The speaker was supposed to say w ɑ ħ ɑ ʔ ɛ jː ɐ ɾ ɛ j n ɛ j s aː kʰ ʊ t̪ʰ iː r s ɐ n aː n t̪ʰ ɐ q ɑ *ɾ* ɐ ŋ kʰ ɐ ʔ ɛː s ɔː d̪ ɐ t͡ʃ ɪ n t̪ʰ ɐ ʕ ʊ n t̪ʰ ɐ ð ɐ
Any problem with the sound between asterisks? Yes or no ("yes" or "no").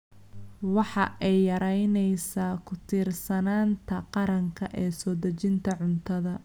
no